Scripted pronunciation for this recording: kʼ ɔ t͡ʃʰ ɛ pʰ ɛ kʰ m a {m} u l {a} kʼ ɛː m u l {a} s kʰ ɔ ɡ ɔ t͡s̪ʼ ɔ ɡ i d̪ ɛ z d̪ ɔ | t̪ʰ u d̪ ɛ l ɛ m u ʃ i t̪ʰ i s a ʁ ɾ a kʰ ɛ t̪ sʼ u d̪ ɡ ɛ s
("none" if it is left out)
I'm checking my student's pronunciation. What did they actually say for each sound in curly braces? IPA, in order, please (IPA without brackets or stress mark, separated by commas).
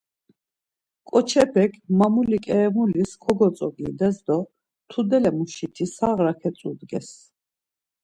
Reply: m, i, i